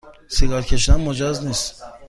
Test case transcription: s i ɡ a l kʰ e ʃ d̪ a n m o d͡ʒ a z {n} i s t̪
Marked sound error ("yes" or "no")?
no